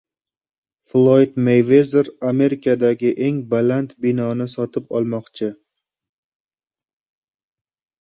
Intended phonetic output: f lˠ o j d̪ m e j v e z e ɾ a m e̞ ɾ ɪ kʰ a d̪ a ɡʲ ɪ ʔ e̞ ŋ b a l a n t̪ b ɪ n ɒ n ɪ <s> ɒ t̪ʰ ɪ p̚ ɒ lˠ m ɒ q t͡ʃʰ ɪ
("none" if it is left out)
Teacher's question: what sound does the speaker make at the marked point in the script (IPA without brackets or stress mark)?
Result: s